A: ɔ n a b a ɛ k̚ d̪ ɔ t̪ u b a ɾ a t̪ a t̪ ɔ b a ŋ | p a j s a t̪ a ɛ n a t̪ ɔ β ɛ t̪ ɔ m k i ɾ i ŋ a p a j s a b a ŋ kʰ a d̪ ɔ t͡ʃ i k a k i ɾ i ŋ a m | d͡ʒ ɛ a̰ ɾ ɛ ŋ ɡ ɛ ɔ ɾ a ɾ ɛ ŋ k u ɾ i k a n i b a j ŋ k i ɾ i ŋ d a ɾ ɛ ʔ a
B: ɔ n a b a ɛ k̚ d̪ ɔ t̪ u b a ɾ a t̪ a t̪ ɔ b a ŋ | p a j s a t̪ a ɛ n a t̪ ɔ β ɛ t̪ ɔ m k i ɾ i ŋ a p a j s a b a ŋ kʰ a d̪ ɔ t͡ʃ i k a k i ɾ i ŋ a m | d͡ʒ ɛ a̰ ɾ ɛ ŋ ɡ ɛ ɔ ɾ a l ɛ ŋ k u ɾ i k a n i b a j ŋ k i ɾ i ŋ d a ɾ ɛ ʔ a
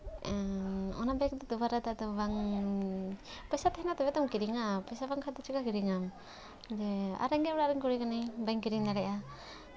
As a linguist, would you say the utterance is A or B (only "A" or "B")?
A